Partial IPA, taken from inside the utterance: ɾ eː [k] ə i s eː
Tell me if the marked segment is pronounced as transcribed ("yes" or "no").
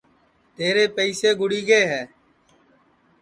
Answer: no